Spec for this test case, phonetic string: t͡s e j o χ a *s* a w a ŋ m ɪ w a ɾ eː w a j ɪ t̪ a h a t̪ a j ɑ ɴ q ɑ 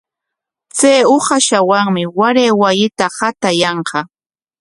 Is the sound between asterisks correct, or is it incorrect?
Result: incorrect